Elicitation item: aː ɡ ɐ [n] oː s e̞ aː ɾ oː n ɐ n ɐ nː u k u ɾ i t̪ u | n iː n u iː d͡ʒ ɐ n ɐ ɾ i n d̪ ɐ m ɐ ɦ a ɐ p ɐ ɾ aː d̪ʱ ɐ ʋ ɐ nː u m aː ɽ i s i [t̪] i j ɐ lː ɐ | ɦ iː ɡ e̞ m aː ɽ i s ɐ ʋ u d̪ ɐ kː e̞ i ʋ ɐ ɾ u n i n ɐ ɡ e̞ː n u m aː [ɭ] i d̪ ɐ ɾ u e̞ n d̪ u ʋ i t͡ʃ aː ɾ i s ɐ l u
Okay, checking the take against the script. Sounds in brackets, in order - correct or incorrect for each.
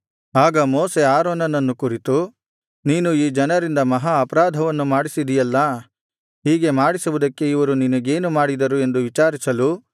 incorrect: m, incorrect: d̪, incorrect: ɽ

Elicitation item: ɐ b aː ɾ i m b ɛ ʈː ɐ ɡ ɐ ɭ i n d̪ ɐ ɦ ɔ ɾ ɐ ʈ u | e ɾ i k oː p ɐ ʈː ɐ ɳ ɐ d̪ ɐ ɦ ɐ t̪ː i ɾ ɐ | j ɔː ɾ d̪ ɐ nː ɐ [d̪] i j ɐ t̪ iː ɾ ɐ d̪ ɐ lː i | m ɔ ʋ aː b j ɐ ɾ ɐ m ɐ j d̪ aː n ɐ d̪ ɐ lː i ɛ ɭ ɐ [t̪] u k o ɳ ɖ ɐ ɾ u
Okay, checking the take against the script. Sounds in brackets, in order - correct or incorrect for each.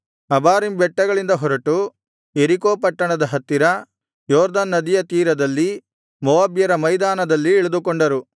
correct, incorrect: d̪

